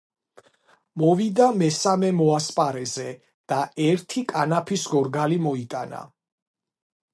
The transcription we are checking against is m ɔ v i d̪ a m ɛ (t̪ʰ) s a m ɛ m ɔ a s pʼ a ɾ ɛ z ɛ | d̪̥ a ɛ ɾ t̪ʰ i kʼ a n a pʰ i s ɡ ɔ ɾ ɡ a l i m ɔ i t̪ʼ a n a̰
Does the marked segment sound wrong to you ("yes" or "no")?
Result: yes